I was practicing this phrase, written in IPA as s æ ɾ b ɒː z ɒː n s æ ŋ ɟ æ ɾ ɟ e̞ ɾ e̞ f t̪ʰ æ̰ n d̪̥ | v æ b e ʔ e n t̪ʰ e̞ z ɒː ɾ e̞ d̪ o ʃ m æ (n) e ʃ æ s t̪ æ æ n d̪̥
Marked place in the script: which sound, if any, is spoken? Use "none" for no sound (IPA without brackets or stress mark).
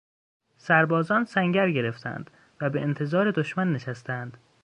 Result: nː